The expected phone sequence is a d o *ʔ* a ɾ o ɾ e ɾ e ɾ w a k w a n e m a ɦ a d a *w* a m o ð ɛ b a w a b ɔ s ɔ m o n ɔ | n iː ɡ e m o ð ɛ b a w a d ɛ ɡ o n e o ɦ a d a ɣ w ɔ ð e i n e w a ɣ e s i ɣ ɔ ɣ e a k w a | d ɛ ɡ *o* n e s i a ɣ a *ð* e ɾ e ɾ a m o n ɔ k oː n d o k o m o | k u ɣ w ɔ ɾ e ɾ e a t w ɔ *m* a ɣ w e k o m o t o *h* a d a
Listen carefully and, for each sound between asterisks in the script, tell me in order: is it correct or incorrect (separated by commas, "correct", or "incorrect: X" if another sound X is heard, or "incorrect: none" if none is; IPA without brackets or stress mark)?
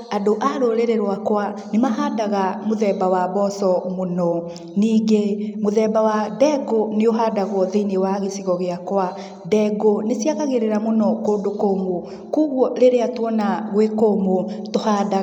correct, incorrect: ɣ, correct, incorrect: ɣ, incorrect: n, correct